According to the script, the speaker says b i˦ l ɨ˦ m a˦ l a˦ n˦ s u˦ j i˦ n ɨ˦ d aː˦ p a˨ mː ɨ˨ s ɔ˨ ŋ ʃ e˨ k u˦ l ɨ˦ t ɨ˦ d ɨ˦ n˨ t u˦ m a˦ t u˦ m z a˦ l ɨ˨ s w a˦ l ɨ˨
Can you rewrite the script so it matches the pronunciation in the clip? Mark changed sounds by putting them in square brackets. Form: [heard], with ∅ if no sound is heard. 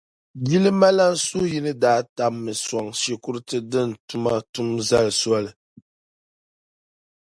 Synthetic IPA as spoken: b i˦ l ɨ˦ m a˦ l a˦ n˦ s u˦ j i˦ n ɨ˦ d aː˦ [t] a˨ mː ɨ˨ s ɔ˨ ŋ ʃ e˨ k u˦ [ɾ] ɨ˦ t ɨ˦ d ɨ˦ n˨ t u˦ m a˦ t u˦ m z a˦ l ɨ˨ s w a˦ l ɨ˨